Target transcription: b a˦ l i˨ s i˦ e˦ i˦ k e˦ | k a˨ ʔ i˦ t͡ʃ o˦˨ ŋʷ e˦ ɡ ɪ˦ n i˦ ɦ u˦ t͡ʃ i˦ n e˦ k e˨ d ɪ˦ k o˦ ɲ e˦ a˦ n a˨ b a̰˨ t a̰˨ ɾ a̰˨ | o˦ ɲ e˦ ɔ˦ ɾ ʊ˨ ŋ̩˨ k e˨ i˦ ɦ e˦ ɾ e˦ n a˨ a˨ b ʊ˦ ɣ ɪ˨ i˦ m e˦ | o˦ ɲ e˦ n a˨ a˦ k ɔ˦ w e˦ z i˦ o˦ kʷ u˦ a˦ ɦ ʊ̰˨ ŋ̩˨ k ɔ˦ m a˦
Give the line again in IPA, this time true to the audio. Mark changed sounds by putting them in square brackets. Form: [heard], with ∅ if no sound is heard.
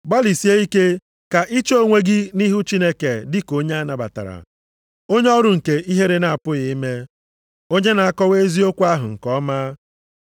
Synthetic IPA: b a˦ l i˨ s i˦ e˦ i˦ k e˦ | k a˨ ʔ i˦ t͡ʃ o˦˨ ŋʷ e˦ ɡ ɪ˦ n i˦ ɦ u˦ t͡ʃ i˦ n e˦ k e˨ d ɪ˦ k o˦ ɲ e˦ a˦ n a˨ b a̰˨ t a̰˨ ɾ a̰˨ | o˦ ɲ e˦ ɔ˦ ɾ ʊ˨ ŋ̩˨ k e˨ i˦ ɦ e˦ ɾ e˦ n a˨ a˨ [p] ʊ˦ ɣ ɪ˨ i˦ m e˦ | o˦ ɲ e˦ n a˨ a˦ k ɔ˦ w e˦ z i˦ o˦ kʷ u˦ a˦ ɦ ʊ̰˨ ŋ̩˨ k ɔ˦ m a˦